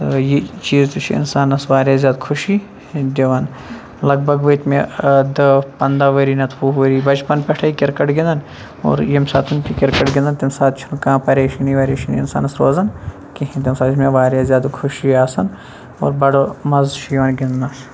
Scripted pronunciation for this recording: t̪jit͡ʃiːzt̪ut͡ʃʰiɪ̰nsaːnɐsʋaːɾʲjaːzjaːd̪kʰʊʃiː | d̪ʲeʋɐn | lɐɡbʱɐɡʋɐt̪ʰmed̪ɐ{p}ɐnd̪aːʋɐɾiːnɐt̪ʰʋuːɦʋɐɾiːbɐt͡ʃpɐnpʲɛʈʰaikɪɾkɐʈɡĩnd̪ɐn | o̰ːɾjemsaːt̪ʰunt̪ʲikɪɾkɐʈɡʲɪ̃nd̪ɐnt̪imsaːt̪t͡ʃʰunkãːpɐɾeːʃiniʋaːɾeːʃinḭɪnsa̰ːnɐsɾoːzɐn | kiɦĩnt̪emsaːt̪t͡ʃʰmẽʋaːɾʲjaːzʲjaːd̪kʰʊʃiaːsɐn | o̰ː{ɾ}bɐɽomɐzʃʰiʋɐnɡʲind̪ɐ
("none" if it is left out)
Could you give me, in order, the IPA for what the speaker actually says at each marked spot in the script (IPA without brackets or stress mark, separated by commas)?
p, ɾ